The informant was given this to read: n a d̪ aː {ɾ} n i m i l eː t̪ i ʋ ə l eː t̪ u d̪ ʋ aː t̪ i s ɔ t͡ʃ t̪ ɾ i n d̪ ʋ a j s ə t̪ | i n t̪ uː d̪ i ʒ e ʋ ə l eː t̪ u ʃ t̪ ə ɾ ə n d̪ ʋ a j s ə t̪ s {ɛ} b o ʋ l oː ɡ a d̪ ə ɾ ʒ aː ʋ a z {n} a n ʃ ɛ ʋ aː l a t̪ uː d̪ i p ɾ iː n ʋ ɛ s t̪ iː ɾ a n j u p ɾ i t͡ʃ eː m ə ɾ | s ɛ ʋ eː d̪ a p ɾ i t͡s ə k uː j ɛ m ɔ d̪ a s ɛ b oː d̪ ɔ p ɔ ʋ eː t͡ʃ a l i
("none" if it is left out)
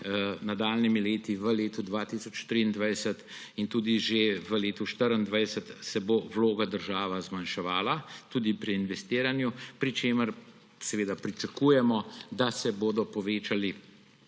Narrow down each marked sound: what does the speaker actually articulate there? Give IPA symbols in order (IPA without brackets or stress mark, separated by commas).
l, ɛ, m